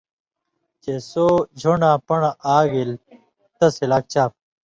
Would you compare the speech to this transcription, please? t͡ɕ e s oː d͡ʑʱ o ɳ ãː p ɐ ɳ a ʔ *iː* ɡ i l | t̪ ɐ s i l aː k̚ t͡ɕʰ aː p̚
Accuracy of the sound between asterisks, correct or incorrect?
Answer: incorrect